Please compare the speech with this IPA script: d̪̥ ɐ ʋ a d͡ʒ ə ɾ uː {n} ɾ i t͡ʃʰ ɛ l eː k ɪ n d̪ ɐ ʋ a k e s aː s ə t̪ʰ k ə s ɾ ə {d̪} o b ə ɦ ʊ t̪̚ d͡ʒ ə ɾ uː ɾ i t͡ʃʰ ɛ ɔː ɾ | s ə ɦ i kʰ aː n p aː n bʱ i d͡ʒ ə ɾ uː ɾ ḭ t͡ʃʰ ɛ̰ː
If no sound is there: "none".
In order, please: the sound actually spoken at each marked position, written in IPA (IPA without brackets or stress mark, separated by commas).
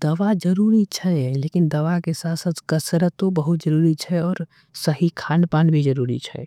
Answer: none, t̪